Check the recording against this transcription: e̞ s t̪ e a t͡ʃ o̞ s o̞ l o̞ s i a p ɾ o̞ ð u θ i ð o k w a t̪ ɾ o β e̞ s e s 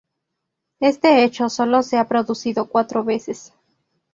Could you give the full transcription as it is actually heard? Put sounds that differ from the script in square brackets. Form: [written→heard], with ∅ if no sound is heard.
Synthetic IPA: e̞ s t̪ e [a→e] t͡ʃ o̞ s o̞ l o̞ s [i→e] a p ɾ o̞ ð u [θ→s] i ð o k w a t̪ ɾ o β e̞ s e s